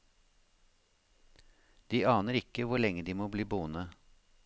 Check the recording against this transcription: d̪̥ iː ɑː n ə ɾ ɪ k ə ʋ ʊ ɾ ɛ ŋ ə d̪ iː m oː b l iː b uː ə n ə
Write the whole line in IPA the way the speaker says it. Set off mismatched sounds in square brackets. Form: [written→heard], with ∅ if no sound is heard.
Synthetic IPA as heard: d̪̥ iː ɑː n ə ɾ ɪ k ə ʋ ʊ [ɾ→ɭ] ɛ ŋ ə d̪ iː m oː b l iː b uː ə n ə

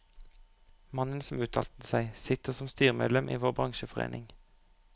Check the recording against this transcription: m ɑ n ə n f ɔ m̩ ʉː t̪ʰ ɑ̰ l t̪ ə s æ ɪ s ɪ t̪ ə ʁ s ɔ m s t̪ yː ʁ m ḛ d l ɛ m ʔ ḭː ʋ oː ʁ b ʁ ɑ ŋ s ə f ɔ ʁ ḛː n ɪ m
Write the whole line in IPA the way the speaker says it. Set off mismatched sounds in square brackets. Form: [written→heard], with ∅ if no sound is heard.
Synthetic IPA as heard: m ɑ n ə n [f→s] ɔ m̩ ʉː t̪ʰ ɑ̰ l t̪ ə s æ ɪ s ɪ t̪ ə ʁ s ɔ m s t̪ yː ʁ m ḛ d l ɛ m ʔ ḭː ʋ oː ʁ b ʁ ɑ ŋ [s→ʃ] ə f ɔ ʁ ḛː n ɪ [m→ŋ]

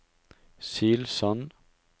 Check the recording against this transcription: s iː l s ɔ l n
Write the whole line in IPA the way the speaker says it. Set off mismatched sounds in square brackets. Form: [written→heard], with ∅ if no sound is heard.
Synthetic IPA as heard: s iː l s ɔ [l→∅] n

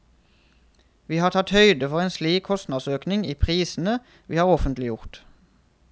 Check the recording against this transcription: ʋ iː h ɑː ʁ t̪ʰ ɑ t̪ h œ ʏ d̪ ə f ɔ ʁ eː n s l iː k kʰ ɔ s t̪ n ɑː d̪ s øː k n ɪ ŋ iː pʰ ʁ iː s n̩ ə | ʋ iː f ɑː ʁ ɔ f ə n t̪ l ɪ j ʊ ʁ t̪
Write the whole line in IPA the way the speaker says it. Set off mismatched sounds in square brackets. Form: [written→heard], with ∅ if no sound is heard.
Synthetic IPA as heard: ʋ iː h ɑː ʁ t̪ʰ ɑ t̪ h œ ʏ d̪ ə f ɔ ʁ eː n s l iː k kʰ ɔ s t̪ n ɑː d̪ s øː k n ɪ ŋ iː pʰ ʁ iː s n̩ ə | ʋ iː [f→h] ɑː ʁ ɔ f ə n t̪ l ɪ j ʊ ʁ t̪

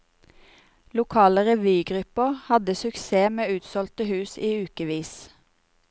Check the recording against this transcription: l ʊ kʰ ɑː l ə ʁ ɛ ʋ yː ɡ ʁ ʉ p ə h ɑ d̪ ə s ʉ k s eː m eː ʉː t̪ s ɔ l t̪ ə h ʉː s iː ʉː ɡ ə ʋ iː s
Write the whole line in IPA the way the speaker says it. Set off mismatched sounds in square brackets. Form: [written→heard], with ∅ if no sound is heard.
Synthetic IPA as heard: l ʊ kʰ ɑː l ə ʁ ɛ ʋ yː ɡ ʁ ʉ p ə h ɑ d̪ ə s ʉ k s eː m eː ʉː t̪ s ɔ l t̪ ə h ʉː s iː ʉː [ɡ→k] ə ʋ iː s

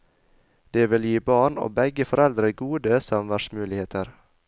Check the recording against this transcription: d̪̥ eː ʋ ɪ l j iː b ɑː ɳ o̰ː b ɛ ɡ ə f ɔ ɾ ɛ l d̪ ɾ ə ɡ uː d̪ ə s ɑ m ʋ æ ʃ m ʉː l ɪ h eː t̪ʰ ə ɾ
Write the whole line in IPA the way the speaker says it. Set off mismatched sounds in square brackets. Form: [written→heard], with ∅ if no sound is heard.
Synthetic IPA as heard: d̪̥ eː ʋ ɪ l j iː b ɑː ɳ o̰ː b ɛ ɡ ə f ɔ ɾ ɛ l d̪ ɾ ə ɡ uː d̪ ə s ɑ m ʋ æ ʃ m ʉː l ɪ h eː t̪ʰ ə ɾ

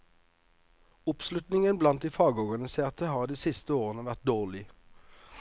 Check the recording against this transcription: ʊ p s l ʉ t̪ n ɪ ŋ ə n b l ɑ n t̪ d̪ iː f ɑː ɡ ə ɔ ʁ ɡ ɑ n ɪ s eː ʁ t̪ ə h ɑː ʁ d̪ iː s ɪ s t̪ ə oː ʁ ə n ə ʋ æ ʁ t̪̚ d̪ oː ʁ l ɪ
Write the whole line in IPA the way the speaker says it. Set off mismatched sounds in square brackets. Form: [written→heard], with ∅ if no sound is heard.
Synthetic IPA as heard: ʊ p s l ʉ t̪ n ɪ ŋ ə n b l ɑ n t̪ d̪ iː f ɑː ɡ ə ɔ ʁ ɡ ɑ n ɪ s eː ʁ t̪ ə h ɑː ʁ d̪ iː s ɪ s t̪ ə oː ʁ ə n ə ʋ æ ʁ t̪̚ d̪ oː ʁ l ɪ

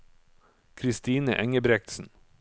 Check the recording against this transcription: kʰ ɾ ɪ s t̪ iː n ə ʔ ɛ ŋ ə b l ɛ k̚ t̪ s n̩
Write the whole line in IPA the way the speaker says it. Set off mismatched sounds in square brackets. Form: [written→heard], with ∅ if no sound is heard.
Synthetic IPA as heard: kʰ ɾ ɪ s t̪ iː n ə ʔ ɛ ŋ ə b [l→ɾ] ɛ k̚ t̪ s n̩

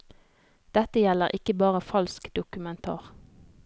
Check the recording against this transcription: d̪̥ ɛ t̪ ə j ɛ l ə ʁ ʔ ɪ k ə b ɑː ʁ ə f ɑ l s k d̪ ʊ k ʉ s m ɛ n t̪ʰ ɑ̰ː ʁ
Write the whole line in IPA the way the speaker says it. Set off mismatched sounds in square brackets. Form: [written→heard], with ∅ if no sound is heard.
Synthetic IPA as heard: d̪̥ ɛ t̪ ə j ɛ l ə ʁ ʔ ɪ k ə b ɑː ʁ ə f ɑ l s k d̪ ʊ k ʉ [s→∅] m ɛ n t̪ʰ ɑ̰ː ʁ

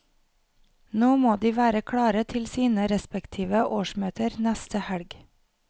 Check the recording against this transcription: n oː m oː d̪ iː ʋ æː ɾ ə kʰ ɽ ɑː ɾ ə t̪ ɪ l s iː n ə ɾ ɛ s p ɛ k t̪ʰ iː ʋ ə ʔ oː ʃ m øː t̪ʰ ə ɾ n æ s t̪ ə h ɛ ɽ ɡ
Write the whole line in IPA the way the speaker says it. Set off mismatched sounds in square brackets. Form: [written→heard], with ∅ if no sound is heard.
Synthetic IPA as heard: n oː m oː d̪ iː ʋ æː ɾ ə kʰ ɽ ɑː ɾ ə [t̪→t̪ʰ] ɪ l s iː n ə ɾ ɛ s p ɛ k t̪ʰ iː ʋ ə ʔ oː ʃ m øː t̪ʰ ə ɾ n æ s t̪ ə h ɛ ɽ ɡ

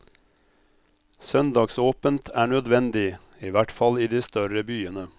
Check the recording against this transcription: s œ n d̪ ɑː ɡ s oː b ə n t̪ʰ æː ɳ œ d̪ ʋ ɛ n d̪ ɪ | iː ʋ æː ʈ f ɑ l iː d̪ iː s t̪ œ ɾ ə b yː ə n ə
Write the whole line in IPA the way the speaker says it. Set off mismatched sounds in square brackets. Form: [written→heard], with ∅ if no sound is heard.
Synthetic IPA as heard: s œ n d̪ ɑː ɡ s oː [b→p] ə n t̪ʰ æː ɳ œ d̪ ʋ ɛ n d̪ ɪ | iː ʋ [æː→æ] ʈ f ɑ l iː d̪ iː s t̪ œ ɾ ə b yː ə n ə

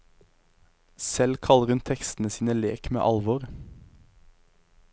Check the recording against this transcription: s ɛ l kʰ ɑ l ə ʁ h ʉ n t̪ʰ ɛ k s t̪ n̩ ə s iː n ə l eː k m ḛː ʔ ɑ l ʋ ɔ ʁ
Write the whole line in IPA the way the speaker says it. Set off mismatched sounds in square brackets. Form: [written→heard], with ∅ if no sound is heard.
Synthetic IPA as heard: s ɛ l kʰ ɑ l ə ʁ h ʉ n t̪ʰ ɛ k s t̪ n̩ ə s iː n ə l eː k m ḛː ʔ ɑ l ʋ ɔ ʁ

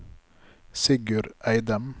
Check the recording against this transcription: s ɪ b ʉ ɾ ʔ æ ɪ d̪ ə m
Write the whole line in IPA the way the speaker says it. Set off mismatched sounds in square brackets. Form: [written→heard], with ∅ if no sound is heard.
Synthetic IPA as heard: s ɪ [b→ɡ] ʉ ɾ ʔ æ ɪ d̪ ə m

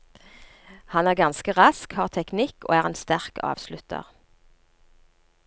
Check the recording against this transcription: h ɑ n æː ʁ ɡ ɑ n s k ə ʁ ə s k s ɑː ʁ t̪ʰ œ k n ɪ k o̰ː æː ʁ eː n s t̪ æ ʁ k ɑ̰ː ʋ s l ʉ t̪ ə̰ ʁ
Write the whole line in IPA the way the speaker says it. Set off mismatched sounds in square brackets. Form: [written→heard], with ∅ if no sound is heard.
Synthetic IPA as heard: h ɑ n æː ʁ ɡ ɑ n s k ə ʁ [ə→ɑ] s k [s→h] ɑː ʁ t̪ʰ [œ→ɛ] k n ɪ k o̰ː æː ʁ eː n s t̪ æ ʁ k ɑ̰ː ʋ s l ʉ t̪ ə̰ ʁ

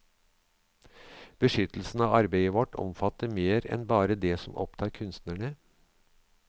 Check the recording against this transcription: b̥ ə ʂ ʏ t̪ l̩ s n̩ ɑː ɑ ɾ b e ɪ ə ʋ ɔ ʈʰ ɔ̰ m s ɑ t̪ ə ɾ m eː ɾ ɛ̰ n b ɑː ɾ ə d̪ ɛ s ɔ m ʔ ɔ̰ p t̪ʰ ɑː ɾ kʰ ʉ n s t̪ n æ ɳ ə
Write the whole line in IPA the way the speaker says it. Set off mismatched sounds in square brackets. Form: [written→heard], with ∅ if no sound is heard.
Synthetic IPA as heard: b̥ ə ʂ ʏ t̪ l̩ s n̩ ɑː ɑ ɾ b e ɪ ə ʋ ɔ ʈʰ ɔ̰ m [s→f] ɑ t̪ ə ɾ m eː ɾ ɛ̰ n b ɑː ɾ ə d̪ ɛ s ɔ m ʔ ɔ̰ p t̪ʰ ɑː ɾ kʰ ʉ n s t̪ n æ ɳ ə

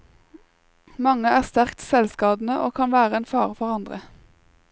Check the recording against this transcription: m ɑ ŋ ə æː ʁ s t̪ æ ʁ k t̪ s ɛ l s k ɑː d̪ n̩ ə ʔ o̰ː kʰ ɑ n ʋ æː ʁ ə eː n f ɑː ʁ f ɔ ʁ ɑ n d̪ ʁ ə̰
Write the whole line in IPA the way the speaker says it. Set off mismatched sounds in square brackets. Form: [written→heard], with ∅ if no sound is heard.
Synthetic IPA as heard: m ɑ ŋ ə æː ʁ s t̪ æ ʁ k t̪ s ɛ l s k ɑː d̪ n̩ ə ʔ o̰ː kʰ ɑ n ʋ æː ʁ ə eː n f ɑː ʁ f ɔ ʁ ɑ n d̪ ʁ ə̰

